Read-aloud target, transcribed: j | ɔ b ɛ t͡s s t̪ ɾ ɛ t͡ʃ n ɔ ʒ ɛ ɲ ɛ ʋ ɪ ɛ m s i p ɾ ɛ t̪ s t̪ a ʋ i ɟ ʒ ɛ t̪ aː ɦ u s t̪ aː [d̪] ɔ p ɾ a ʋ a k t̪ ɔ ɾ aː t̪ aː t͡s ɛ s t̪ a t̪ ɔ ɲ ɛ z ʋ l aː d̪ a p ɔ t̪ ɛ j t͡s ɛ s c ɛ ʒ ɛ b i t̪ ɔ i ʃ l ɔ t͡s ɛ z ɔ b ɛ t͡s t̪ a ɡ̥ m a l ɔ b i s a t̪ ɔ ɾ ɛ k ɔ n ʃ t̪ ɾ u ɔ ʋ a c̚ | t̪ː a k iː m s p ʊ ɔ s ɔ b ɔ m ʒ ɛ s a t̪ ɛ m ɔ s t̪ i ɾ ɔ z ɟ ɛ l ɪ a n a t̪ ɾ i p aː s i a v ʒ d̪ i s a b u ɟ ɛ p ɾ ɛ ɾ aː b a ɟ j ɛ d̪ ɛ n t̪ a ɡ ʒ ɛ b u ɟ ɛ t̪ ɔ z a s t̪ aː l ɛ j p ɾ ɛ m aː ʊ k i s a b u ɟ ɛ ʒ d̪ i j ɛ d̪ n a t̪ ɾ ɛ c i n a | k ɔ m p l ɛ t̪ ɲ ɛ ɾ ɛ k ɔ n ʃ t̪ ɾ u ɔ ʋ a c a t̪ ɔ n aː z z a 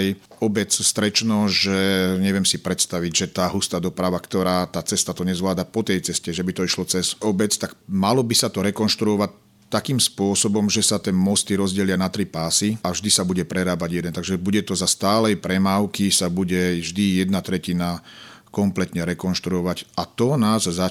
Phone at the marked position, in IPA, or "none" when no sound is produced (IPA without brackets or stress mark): d̪